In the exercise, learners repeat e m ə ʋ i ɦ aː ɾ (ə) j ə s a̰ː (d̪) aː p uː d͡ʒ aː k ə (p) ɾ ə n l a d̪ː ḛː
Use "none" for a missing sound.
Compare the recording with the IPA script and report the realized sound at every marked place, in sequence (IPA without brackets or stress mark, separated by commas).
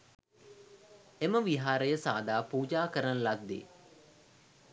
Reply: ə, d̪, none